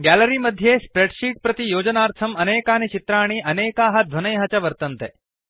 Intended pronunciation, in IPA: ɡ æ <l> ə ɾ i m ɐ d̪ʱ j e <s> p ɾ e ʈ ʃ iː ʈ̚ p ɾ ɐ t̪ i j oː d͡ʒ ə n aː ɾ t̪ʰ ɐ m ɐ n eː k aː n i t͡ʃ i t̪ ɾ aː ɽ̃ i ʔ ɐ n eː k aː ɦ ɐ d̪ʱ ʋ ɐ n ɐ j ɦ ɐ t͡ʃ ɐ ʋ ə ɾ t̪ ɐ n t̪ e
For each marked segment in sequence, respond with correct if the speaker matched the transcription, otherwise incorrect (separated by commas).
correct, correct